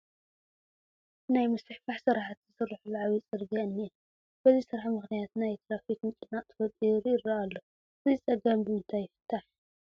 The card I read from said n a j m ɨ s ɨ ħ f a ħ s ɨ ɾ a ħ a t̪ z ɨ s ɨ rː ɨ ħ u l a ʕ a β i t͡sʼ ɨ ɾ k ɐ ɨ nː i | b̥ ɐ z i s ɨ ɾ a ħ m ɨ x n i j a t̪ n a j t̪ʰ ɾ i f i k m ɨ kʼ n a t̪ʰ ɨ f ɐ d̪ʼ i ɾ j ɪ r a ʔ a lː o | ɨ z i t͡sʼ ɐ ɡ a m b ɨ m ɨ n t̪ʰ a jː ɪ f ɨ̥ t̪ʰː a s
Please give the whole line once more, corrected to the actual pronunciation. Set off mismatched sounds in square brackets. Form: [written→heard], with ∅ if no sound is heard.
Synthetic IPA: n a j m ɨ s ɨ ħ f a ħ s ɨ ɾ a ħ a t̪ z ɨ s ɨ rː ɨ ħ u l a ʕ a β i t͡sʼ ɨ ɾ [k→ɡ] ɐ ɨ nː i | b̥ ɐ z i s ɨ ɾ a ħ m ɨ x n i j a t̪ n a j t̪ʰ ɾ [i→a] f i k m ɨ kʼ n a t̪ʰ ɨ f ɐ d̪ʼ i ɾ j ɪ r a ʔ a lː o | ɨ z i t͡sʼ ɐ ɡ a m b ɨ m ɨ n t̪ʰ a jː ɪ f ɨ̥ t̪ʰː a [s→ħ]

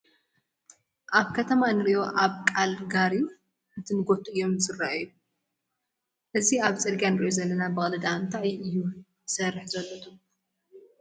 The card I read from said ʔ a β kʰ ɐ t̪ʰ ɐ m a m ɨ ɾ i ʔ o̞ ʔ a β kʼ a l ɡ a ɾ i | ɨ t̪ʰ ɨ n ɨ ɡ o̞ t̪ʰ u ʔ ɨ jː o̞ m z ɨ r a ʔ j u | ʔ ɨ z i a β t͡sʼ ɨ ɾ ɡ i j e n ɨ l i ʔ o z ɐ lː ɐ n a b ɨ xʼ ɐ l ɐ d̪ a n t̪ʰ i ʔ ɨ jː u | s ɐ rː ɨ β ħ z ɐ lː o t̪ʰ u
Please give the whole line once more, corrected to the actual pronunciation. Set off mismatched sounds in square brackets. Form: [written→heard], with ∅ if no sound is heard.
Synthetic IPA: ʔ a β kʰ ɐ t̪ʰ ɐ m a [m→n] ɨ ɾ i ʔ o̞ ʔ a β kʼ a l ɡ a ɾ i | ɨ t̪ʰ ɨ n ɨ ɡ o̞ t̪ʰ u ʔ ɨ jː o̞ m z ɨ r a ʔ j u | ʔ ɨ z i a β t͡sʼ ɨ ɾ ɡ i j [e→a] n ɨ [l→ɾ] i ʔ o z ɐ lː ɐ n a b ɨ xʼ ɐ l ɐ d̪ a n t̪ʰ [i→a] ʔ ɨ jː u | s ɐ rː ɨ [β→∅] ħ z ɐ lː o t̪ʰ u

